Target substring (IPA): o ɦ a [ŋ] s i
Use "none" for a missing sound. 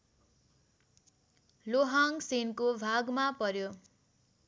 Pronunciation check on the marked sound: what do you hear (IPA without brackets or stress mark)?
ŋ